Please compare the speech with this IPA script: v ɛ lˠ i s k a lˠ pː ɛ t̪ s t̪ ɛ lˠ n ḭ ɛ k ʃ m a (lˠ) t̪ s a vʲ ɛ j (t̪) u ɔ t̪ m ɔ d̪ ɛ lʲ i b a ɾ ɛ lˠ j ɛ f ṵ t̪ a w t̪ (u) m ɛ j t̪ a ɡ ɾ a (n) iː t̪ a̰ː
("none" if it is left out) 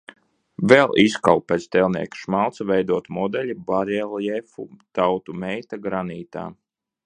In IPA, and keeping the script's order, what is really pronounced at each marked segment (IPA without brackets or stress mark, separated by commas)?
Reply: lˠ, d̪, u, n